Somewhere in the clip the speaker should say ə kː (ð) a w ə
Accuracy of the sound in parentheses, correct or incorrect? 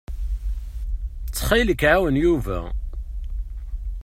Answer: incorrect